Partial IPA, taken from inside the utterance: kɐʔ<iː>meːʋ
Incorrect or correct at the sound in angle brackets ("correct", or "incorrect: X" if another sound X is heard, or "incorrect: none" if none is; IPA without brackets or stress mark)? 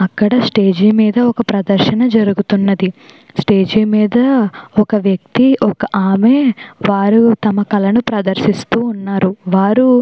incorrect: aː